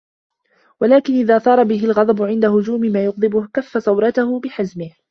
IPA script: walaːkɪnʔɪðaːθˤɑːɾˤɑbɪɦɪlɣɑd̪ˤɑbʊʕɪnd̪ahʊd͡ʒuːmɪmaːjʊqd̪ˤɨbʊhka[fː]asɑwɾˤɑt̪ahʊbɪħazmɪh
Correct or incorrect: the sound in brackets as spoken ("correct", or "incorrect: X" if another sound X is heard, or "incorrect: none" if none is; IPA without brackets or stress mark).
correct